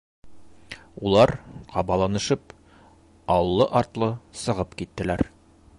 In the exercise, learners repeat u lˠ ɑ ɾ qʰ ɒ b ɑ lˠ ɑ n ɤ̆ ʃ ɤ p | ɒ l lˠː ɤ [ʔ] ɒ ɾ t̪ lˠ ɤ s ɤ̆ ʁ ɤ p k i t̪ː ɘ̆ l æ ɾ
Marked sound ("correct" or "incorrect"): correct